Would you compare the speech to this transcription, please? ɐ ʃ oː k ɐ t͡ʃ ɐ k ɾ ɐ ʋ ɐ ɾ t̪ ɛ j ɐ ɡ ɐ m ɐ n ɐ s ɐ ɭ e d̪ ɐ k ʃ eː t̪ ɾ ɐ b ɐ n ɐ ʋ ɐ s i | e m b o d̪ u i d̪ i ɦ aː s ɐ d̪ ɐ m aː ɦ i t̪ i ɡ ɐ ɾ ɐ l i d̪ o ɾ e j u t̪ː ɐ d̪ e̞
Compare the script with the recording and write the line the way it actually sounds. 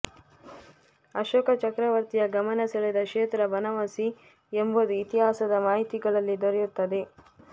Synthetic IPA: ɐ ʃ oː k ɐ t͡ʃ ɐ k ɾ ɐ ʋ ɐ ɾ t̪ i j ɐ ɡ ɐ m ɐ n ɐ s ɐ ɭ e d̪ ɐ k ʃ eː t̪ ɾ ɐ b ɐ n ɐ ʋ ɐ s i | e m b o d̪ u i t̪ i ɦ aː s ɐ d̪ ɐ m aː ɦ i t̪ i ɡ ɐ ɭ ɐ lː i d̪ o ɾ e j u t̪ː ɐ d̪ e̞